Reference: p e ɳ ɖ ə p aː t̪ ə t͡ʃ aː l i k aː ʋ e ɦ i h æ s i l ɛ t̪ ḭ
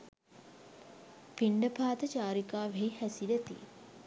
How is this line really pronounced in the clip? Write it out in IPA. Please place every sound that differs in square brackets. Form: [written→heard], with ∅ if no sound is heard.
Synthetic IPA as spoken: p [e→i] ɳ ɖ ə p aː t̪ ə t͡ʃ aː [l→ɾ] i k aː ʋ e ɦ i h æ s i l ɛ t̪ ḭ